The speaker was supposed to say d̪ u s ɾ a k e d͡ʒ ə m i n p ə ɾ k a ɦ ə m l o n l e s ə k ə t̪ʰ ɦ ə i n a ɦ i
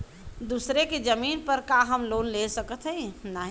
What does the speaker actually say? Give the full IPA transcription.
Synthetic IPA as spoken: d̪ u s ɾ e k e d͡ʒ ə m i n p ə ɾ k a ɦ ə m l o n l e s ə k ə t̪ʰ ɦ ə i n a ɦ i